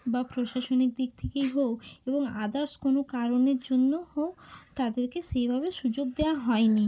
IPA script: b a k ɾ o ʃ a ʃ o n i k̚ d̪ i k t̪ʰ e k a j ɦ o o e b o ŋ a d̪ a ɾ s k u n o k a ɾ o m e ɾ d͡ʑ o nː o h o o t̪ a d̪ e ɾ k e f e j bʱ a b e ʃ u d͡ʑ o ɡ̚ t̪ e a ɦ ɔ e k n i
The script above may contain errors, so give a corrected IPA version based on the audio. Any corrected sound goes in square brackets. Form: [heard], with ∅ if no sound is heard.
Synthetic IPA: b a [p] ɾ o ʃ a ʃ o n i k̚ d̪ i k t̪ʰ e k [e] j ɦ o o e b o ŋ a d̪ a ɾ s k [o] n o k a ɾ o [n] e ɾ d͡ʑ o nː o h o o t̪ a d̪ e ɾ k e [ʃ] e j bʱ a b e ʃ u d͡ʑ o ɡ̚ [d̪] e a ɦ ɔ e [∅] n i